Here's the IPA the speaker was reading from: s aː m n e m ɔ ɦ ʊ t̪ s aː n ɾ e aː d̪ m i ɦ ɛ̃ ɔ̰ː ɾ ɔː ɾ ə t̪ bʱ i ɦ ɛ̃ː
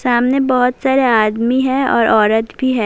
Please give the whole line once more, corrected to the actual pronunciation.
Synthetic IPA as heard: s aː m n e b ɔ ɦ ʊ t̪ s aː ɾ e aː d̪ m i ɦ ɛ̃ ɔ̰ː ɾ ɔː ɾ ə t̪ bʱ i ɦ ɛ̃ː